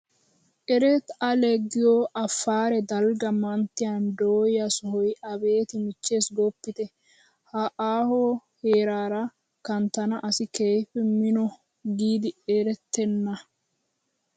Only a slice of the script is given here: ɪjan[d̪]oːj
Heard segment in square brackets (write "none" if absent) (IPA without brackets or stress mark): d̪